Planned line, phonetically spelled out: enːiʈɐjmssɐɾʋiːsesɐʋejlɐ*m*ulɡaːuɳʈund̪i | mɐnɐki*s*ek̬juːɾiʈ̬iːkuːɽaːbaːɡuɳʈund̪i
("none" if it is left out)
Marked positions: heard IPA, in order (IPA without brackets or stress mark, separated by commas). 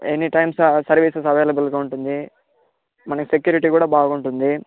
b, s